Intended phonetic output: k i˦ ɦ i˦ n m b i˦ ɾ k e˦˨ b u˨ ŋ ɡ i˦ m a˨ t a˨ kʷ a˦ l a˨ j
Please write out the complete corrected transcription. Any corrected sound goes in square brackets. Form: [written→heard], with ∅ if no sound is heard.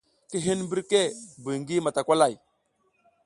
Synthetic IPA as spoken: k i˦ ɦ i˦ n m b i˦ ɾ k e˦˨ b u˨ ŋ ɡ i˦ m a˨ t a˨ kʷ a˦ l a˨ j